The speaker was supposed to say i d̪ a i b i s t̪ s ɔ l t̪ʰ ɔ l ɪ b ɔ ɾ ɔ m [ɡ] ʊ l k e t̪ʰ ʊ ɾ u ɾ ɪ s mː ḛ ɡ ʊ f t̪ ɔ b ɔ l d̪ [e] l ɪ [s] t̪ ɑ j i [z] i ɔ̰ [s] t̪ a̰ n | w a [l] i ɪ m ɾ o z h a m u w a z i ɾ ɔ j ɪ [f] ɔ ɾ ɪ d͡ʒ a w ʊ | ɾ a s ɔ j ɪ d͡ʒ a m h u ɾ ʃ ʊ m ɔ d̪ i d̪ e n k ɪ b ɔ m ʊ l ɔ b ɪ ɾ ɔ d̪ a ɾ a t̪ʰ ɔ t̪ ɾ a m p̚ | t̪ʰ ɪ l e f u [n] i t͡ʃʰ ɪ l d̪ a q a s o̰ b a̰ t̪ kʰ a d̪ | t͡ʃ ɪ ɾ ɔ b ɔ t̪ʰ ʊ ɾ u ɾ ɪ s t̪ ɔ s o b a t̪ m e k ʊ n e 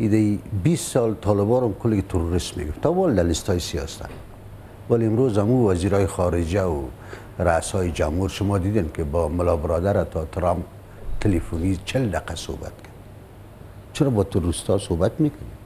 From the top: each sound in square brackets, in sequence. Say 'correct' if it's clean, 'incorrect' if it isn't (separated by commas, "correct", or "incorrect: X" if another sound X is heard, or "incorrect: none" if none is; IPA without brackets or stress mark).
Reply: incorrect: k, incorrect: a, correct, incorrect: s, correct, correct, incorrect: x, correct